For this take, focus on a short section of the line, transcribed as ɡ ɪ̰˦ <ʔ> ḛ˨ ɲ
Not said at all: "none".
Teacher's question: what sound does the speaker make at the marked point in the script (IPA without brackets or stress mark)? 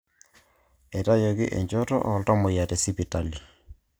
ʔ